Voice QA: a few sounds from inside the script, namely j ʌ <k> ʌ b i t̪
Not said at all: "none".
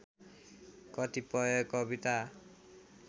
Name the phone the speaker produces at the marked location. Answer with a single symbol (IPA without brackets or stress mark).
k